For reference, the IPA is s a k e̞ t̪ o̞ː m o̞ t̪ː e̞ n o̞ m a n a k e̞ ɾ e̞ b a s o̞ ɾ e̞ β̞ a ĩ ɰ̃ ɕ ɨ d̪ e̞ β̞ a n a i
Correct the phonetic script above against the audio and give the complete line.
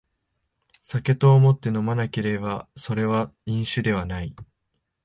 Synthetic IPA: s a k e̞ t̪ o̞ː m o̞ t̪ː e̞ n o̞ m a n a k e̞ ɾ e̞ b a s o̞ ɾ e̞ β̞ a ĩ ɰ̃ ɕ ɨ d̪ e̞ β̞ a n a i